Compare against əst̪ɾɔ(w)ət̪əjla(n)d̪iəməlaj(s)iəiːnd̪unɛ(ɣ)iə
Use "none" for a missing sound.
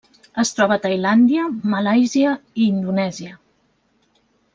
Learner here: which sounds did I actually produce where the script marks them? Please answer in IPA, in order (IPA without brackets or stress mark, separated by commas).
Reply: β, n, z, z